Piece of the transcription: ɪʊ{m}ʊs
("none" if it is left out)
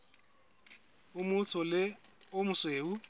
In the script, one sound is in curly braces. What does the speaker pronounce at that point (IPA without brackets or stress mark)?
m